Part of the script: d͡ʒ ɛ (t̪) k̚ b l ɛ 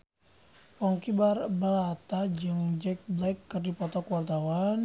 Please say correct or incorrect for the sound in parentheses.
incorrect